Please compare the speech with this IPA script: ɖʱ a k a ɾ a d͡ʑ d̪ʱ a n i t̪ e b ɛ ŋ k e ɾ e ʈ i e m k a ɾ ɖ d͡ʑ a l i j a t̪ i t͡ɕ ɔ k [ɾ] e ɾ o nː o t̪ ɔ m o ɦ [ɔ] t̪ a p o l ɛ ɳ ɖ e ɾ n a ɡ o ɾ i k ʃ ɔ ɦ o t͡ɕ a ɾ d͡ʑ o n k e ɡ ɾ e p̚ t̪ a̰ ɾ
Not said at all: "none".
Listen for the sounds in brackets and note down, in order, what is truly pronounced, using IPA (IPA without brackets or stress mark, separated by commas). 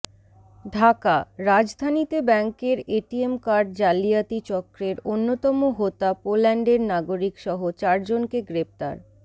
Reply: ɾ, o